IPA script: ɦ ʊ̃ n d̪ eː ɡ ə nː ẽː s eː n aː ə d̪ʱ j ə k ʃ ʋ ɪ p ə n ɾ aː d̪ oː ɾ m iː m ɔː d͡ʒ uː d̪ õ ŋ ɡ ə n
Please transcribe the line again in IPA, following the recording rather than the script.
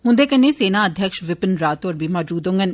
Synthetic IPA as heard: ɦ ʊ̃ n d̪ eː k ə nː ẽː s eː n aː ə d̪ʱ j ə k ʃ ʋ ɪ p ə n ɾ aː t̪ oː ɾ b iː m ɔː d͡ʒ uː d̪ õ ŋ ɡ ə n